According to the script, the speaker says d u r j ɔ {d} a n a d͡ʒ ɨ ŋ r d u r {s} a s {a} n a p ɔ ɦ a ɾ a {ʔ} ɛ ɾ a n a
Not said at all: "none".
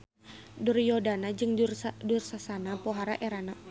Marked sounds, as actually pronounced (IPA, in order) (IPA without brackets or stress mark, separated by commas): d, s, a, ʔ